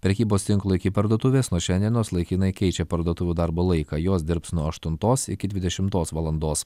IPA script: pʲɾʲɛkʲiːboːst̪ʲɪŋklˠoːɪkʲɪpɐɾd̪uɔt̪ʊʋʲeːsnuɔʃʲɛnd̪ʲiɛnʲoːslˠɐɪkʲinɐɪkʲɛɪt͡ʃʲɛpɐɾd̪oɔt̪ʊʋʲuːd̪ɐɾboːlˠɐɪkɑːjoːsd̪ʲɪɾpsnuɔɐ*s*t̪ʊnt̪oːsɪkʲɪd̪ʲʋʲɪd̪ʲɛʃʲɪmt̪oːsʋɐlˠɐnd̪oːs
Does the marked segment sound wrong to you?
yes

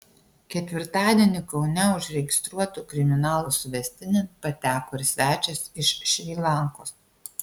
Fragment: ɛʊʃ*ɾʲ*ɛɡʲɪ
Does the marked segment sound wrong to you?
no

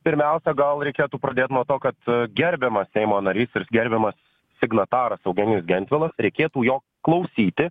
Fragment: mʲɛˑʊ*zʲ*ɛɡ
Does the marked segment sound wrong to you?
yes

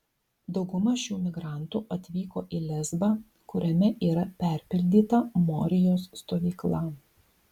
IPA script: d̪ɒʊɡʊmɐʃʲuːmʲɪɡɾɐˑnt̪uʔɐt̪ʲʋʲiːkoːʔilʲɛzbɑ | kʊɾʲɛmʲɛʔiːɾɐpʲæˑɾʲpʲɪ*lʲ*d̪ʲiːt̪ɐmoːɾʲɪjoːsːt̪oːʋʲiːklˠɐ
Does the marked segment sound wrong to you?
no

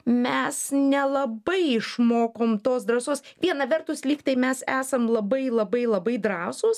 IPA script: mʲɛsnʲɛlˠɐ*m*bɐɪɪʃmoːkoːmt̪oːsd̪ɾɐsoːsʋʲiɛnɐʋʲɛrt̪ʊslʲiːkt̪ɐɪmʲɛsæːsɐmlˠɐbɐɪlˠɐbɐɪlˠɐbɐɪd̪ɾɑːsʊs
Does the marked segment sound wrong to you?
yes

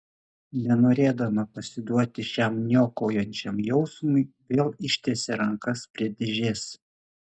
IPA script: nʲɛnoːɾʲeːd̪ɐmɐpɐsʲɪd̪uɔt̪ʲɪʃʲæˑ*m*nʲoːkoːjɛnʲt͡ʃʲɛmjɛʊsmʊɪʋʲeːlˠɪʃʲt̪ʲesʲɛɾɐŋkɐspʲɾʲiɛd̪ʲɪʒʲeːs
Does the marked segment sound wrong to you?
no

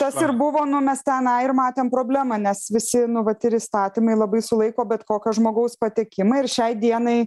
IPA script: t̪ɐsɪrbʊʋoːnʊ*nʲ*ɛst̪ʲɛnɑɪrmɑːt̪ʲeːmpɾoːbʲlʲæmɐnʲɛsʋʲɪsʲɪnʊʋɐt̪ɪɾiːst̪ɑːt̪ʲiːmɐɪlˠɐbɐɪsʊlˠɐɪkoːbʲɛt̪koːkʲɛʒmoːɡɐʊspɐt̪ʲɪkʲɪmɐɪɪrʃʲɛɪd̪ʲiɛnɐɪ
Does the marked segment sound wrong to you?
yes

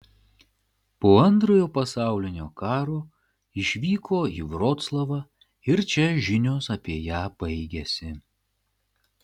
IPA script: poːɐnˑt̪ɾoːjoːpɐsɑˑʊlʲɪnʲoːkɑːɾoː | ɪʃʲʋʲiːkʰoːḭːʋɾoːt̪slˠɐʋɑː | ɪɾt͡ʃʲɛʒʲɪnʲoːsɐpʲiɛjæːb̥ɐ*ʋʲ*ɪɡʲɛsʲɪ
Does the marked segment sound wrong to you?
yes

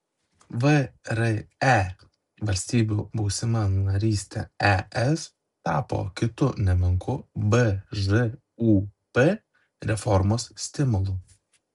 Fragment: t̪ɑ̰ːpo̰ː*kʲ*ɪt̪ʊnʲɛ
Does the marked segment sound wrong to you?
no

